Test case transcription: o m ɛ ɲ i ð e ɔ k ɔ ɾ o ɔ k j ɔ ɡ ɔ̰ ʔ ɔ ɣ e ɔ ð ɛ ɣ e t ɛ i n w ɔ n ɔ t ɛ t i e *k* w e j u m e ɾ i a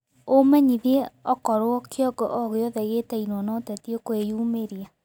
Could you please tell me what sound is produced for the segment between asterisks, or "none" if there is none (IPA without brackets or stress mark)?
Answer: k